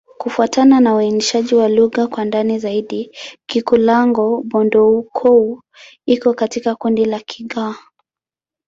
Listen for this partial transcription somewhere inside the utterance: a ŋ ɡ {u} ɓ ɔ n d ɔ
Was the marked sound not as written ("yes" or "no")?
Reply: yes